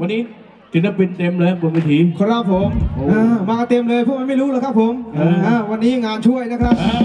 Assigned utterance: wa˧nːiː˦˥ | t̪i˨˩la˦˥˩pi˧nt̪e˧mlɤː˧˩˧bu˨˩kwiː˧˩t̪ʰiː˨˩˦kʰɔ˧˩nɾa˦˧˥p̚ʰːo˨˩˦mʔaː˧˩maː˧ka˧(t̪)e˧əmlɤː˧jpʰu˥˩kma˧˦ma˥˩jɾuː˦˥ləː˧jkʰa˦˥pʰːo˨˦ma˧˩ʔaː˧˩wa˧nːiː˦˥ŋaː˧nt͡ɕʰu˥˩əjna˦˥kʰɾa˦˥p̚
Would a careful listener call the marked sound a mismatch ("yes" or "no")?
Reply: no